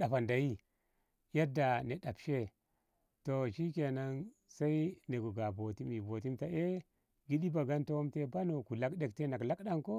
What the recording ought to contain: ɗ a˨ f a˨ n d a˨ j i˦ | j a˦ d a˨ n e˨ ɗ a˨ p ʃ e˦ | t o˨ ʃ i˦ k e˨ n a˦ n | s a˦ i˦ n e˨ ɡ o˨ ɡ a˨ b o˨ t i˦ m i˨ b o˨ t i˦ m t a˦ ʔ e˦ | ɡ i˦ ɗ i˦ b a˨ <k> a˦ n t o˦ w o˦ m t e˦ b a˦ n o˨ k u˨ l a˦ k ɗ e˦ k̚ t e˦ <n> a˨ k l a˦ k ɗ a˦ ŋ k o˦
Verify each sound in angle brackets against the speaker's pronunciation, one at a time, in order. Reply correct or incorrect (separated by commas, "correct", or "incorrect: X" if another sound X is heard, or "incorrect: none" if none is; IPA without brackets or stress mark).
incorrect: ɡ, correct